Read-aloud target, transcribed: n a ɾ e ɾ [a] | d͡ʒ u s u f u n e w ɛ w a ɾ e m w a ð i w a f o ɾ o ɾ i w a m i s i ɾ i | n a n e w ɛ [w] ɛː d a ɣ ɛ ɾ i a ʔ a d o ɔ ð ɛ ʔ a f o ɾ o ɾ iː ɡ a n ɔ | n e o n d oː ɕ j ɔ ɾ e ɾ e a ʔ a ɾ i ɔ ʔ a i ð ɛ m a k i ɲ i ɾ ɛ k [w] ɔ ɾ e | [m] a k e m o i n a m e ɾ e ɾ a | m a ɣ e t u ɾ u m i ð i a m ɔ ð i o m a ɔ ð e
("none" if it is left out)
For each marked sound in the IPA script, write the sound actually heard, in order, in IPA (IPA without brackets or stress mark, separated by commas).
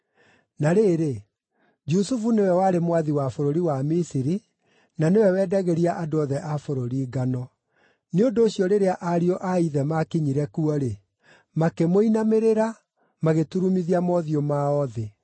e, w, u, m